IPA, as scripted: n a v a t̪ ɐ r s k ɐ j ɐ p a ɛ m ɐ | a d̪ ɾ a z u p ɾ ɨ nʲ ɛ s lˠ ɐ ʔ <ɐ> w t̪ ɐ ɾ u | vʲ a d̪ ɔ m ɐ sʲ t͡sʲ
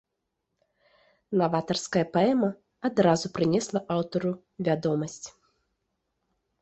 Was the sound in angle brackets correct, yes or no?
no